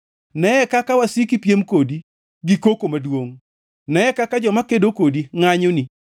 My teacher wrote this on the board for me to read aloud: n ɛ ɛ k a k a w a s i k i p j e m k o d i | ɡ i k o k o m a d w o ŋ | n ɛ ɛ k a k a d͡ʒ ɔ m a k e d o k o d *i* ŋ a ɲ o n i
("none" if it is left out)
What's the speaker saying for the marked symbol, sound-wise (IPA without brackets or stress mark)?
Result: i